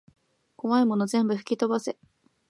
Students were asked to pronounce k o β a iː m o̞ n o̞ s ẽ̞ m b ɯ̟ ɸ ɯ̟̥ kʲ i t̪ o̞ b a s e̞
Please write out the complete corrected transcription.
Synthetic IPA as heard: k o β a i m o̞ n o̞ z ẽ̞ m b ɯ̟ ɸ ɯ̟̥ kʲ i t̪ o̞ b a s e̞